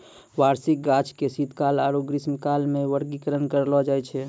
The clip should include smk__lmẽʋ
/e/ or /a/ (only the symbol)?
a